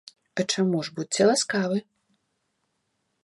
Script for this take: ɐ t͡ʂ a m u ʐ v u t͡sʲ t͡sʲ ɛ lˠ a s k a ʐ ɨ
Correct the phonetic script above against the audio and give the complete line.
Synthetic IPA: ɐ t͡ʂ a m u ʐ b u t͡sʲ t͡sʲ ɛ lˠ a s k a v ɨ